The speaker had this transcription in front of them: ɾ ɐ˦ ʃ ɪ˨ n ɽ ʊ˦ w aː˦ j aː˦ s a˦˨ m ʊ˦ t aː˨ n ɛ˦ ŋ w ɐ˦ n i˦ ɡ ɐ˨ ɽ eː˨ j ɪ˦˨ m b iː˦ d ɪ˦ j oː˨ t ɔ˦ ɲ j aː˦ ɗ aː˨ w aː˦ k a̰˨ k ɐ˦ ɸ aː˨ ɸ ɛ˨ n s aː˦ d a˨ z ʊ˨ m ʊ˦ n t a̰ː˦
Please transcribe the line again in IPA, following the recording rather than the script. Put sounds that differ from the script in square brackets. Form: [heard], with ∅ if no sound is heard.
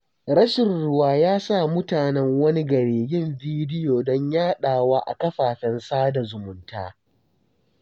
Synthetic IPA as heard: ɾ ɐ˦ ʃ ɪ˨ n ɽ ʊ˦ w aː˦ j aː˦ s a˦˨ m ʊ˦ t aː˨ n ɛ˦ ŋ w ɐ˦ n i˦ ɡ ɐ˨ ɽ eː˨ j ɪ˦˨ m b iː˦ d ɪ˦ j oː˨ [d] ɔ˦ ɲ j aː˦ ɗ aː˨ w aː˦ [ʔ] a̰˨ k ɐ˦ ɸ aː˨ ɸ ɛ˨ n s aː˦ d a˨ z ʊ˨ m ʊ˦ n t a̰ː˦

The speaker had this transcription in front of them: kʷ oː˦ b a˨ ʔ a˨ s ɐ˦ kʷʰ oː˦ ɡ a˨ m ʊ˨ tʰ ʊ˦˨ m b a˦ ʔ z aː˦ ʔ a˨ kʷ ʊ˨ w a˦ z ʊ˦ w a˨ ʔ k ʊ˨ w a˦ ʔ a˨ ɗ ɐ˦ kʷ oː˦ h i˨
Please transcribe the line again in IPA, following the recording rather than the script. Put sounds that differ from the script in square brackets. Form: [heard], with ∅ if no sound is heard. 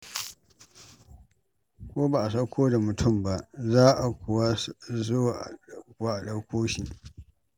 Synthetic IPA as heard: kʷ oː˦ b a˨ ʔ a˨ s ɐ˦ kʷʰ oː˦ [d] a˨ m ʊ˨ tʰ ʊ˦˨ m b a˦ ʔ z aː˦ ʔ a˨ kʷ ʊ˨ w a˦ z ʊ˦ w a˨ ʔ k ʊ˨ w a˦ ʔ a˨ ɗ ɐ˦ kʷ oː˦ [ʃ] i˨

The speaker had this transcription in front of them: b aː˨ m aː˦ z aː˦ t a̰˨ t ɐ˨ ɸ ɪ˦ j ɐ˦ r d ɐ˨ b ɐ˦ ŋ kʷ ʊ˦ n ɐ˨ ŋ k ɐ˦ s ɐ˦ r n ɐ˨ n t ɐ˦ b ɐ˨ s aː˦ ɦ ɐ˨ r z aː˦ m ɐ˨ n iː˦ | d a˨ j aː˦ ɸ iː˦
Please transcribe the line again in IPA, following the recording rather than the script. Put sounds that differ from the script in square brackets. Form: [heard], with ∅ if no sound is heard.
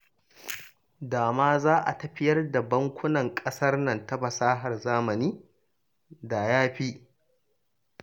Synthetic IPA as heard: [d] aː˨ m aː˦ z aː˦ [ʔ] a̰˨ t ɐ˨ ɸ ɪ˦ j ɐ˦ r d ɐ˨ b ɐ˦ ŋ kʷ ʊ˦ n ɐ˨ ŋ [kʼ] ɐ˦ s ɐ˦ r n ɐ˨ n t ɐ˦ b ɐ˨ s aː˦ ɦ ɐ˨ r z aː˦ m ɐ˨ n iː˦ | d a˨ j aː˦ ɸ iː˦

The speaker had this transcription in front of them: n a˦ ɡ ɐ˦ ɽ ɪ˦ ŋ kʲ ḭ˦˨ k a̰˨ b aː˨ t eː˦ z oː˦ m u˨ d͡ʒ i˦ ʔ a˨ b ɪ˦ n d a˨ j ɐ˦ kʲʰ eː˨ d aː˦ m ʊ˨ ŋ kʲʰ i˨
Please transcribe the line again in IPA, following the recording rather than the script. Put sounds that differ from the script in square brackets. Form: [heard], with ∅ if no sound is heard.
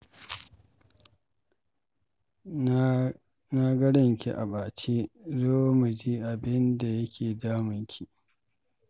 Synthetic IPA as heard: n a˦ ɡ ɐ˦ ɽ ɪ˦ ŋ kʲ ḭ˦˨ [ʔ] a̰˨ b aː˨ [t͡ʃ] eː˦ z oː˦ m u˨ d͡ʒ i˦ ʔ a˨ b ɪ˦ n d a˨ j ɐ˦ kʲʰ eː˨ d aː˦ m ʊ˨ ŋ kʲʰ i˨

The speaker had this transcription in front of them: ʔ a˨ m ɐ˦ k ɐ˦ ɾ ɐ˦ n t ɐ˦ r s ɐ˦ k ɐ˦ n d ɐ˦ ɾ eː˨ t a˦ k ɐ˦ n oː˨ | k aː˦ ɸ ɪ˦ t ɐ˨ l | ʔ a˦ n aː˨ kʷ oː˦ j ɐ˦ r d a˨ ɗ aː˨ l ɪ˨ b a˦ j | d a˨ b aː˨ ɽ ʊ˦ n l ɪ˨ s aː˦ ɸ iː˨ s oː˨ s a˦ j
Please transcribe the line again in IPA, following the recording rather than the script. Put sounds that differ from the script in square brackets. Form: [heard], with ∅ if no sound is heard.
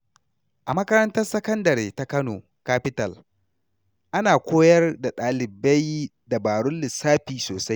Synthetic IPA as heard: ʔ a˨ m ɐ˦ k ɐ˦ ɾ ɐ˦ n t ɐ˦ r s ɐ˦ k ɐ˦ n d [ɐ˨] ɾ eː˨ t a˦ k ɐ˦ n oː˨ | k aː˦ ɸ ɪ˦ t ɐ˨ l | ʔ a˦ n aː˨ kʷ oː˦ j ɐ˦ r d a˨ ɗ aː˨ l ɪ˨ b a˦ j | d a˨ b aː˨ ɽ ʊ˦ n l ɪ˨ s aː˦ ɸ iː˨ s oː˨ s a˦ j

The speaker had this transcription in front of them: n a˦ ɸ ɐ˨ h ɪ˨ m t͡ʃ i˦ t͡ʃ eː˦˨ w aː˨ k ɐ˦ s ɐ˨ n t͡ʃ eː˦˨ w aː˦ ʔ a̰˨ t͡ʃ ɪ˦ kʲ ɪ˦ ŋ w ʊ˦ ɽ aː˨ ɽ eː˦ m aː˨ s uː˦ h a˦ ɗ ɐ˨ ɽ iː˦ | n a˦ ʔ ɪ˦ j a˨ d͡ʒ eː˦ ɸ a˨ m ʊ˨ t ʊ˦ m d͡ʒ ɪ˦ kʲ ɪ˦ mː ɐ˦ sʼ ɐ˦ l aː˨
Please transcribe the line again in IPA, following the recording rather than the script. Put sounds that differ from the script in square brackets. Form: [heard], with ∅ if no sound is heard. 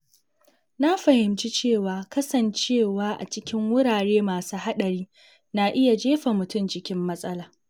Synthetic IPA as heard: n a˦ ɸ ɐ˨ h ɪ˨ m t͡ʃ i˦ t͡ʃ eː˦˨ w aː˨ k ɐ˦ s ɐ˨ n t͡ʃ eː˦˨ w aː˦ ʔ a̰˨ t͡ʃ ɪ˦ kʲ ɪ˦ ŋ w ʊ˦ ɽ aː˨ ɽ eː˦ m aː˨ s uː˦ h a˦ ɗ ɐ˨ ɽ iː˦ | n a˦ ʔ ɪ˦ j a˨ d͡ʒ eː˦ ɸ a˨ m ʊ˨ t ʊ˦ m d͡ʒ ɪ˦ kʲ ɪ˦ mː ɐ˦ sʼ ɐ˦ l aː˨

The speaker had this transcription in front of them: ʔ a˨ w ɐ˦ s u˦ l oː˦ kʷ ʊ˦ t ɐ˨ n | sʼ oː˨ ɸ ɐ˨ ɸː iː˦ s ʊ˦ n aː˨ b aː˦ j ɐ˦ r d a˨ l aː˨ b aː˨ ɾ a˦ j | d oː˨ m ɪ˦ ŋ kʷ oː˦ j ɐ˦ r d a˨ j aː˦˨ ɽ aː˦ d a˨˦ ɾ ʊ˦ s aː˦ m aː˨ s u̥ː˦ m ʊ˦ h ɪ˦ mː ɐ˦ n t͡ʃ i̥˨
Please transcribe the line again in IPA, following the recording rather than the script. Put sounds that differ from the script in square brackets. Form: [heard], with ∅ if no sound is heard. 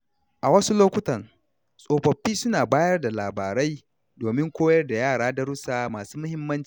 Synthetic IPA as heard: ʔ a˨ w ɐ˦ s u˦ l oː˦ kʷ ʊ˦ t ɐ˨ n | sʼ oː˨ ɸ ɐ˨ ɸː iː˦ s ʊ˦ n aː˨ b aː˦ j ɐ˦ r d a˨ l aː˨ b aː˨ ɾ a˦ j | d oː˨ m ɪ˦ ŋ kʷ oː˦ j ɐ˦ r d a˨ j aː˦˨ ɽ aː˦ d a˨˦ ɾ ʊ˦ s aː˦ m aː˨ s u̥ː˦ m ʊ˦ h ɪ˦ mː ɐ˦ n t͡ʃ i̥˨

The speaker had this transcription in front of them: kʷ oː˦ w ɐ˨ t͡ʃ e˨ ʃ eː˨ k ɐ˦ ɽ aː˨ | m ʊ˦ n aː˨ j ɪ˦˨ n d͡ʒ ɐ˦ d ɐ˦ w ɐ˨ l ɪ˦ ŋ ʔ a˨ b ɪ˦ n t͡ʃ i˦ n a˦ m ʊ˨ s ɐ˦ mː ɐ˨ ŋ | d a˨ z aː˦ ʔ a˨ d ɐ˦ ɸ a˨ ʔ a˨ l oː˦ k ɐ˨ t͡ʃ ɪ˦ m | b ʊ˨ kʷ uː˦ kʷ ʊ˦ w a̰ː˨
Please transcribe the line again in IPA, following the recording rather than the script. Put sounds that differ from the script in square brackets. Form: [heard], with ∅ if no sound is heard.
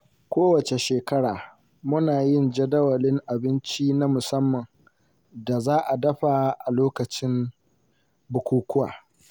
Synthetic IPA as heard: kʷ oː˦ w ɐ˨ t͡ʃ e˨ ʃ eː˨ k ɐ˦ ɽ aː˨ | m ʊ˦ n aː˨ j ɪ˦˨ n d͡ʒ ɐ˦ d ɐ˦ w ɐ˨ l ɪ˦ ŋ ʔ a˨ b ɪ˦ n t͡ʃ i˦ n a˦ m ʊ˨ s ɐ˦ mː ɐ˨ ŋ | d a˨ z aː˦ ʔ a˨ d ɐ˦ ɸ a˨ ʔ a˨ l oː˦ k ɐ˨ t͡ʃ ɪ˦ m | b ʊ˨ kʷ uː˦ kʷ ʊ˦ w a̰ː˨

